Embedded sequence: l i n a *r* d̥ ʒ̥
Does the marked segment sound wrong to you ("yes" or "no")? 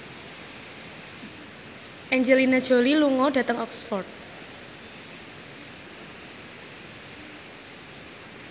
yes